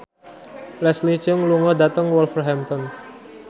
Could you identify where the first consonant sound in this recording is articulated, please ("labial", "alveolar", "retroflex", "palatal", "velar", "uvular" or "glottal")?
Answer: alveolar